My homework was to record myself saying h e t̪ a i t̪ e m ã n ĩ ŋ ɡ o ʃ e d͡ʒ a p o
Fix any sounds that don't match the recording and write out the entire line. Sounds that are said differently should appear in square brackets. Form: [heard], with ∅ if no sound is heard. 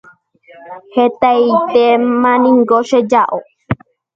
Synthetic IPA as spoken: h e t̪ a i t̪ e m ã n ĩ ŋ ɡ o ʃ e d͡ʒ a [ʔ] o

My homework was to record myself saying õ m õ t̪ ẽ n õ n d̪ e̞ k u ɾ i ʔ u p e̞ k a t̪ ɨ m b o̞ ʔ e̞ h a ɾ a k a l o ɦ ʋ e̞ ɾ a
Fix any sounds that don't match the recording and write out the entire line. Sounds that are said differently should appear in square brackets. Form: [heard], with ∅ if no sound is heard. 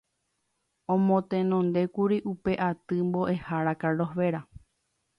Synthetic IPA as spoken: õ m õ t̪ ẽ n õ n d̪ e̞ k u ɾ i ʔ u p e̞ [ʔ] a t̪ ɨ m b o̞ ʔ e̞ h a ɾ a k a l o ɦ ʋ e̞ ɾ a

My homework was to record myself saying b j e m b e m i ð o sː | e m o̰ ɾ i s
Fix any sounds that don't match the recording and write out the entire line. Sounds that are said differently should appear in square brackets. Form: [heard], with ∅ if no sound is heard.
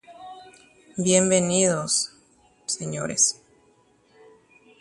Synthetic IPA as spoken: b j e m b e [n] i ð o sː | e [ɲ] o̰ ɾ [e] s

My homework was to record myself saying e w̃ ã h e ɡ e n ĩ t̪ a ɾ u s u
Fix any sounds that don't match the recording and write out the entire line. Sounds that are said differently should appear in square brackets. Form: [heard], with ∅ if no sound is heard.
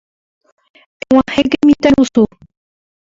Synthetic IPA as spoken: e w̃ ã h e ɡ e [m] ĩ t̪ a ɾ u s u

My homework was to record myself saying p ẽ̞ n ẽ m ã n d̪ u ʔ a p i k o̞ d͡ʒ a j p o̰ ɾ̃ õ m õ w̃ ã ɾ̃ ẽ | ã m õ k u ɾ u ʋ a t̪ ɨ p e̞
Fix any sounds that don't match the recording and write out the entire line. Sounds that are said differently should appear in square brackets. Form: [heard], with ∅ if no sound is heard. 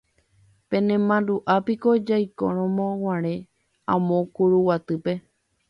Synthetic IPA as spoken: p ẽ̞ n ẽ m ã n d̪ u ʔ a p i k o̞ d͡ʒ a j [k] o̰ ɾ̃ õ m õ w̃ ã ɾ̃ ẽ | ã m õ k u ɾ u [w] a t̪ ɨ p e̞

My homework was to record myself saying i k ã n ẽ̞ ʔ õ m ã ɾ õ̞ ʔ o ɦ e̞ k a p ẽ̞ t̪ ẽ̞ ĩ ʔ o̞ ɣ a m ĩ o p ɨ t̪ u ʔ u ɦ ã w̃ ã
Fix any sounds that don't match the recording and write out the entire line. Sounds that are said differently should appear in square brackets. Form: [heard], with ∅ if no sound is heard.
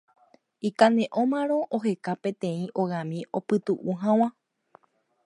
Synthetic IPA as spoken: i k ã n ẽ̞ ʔ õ m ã ɾ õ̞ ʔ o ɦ e̞ k a p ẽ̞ t̪ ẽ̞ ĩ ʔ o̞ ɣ a m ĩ o p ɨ t̪ u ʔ u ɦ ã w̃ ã

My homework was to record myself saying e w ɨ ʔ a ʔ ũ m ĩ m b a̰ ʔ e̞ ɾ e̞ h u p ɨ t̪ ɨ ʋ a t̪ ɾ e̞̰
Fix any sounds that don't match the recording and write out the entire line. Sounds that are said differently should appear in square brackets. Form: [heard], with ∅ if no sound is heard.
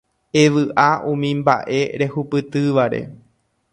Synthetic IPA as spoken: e [ʋ] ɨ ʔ a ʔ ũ m ĩ m b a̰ ʔ e̞ ɾ e̞ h u p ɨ t̪ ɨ ʋ a [∅] ɾ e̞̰

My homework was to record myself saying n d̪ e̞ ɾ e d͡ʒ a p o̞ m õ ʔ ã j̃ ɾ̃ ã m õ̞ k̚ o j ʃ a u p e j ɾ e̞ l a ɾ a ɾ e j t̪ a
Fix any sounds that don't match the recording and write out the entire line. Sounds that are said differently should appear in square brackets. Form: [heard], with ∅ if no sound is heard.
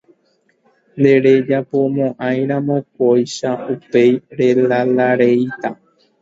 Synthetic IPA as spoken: n d̪ e̞ ɾ e d͡ʒ a p o̞ m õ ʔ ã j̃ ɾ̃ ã m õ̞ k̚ o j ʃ a u p e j ɾ e̞ l a [l] a ɾ e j t̪ a

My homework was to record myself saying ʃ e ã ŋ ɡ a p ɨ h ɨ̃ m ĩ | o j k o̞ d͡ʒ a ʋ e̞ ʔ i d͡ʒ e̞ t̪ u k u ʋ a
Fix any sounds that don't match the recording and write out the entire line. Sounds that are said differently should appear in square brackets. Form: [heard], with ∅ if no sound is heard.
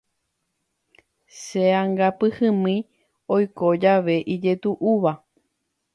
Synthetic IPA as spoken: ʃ e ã ŋ ɡ a p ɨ h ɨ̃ m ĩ | o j k o̞ d͡ʒ a ʋ e̞ ʔ i d͡ʒ e̞ t̪ u [ʔ] u ʋ a

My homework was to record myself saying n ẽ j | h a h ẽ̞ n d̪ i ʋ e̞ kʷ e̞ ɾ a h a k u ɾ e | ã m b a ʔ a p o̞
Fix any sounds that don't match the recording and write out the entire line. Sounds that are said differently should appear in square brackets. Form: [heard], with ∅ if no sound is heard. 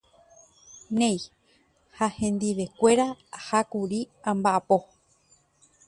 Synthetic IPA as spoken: n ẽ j | h a h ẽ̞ n d̪ i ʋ e̞ kʷ e̞ ɾ a h a k u ɾ [i] | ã m b a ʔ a p o̞

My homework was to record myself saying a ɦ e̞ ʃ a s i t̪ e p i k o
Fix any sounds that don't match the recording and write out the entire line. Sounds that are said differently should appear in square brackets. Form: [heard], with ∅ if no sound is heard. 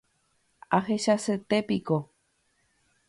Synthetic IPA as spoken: a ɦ e̞ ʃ a s [e] t̪ e p i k o

